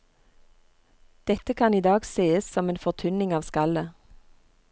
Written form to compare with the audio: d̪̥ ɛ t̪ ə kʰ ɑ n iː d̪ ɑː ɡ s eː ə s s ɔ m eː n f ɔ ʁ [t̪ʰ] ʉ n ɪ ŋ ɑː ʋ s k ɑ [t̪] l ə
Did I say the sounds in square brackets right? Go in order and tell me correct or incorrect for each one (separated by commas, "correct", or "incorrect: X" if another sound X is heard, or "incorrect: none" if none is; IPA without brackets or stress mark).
correct, incorrect: none